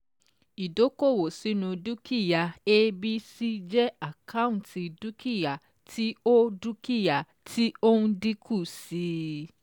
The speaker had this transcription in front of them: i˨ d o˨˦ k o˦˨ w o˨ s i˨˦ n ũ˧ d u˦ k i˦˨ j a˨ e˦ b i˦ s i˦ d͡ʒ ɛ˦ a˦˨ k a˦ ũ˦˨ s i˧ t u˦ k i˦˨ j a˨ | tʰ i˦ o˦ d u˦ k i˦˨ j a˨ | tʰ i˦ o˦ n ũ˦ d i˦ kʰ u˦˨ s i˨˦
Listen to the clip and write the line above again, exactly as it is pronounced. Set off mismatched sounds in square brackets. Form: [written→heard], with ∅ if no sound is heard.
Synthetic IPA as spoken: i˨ d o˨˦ k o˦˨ w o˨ s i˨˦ n ũ˧ d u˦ k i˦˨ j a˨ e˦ b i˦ s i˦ d͡ʒ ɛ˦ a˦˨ k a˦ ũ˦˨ [s→t] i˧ [t→d] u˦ k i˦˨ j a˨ | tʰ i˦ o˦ d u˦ k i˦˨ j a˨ | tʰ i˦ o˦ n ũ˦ d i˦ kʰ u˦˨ s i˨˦